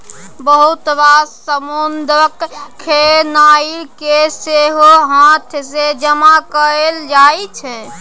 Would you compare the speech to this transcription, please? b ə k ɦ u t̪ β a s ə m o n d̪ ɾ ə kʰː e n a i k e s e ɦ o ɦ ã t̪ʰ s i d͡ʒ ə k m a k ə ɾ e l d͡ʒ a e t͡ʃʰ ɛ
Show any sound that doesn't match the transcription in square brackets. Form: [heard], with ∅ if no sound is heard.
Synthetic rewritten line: b ə [∅] ɦ u t̪ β a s ə m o n d̪ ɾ ə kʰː e n a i k e s e ɦ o ɦ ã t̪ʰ s [e] d͡ʒ ə [∅] m a k ə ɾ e l d͡ʒ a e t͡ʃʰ ɛ

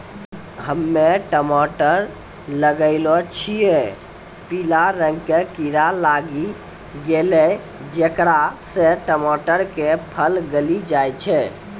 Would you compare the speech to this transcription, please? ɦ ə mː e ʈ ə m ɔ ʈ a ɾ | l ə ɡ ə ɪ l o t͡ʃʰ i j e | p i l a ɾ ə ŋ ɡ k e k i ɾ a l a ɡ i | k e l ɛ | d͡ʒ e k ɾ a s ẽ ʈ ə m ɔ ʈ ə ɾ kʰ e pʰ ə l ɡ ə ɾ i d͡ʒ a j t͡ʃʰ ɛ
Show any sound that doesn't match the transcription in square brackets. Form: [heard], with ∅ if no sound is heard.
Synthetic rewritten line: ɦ ə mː e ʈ ə m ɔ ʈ [ə] ɾ | l ə ɡ ə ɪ l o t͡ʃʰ i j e | p i l a ɾ ə ŋ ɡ k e k i ɾ a l a ɡ i | [ɡ] e l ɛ | d͡ʒ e k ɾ a s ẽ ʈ ə m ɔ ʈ ə ɾ [k] e pʰ ə l ɡ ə [l] i d͡ʒ a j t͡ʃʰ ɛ

